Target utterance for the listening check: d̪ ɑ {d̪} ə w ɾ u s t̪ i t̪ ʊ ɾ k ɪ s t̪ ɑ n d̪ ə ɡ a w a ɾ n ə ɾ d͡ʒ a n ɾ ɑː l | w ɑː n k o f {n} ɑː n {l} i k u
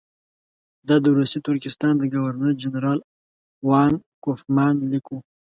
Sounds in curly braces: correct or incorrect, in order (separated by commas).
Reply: correct, incorrect, correct